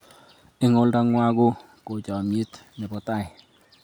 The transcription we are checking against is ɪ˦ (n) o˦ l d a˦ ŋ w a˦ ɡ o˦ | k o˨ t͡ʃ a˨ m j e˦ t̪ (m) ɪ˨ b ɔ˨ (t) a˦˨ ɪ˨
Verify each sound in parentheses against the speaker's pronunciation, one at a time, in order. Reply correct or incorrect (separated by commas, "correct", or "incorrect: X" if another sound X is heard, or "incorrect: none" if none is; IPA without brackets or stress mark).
incorrect: ŋ, incorrect: n, correct